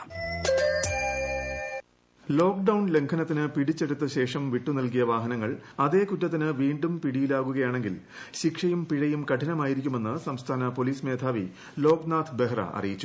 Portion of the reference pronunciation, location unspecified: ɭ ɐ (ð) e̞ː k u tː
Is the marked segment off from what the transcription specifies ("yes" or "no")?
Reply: no